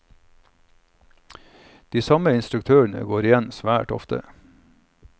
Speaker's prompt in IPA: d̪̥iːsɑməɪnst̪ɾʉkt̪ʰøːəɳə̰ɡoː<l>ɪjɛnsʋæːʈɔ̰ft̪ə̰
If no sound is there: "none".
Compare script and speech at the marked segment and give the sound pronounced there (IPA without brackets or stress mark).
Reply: ɾ